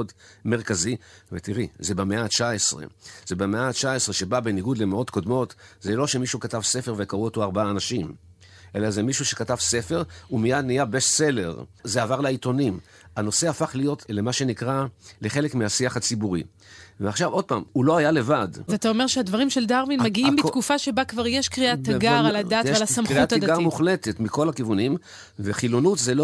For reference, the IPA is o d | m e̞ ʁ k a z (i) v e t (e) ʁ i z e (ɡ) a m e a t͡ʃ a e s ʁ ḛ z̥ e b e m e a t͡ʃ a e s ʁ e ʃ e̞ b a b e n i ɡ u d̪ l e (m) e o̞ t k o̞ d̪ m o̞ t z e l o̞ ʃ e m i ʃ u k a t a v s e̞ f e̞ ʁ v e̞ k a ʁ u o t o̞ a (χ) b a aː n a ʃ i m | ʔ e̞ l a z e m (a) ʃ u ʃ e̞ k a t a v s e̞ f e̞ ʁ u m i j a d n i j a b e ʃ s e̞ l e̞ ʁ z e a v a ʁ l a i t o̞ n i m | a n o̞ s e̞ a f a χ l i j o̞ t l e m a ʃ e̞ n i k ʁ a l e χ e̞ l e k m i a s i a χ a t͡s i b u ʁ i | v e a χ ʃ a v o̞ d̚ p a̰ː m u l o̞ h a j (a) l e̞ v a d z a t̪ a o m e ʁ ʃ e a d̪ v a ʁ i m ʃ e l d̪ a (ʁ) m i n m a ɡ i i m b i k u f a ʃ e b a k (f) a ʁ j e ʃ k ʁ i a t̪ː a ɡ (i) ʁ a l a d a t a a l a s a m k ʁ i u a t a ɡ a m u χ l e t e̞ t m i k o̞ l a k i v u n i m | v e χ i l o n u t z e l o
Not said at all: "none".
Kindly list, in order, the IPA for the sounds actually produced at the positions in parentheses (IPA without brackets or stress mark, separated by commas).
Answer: i, i, b, m, ʁ, i, a, ʁ, v, a